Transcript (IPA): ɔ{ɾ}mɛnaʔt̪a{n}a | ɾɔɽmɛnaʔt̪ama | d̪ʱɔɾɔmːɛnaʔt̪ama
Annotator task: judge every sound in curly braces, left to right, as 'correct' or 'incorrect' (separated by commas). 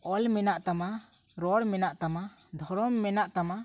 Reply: incorrect, incorrect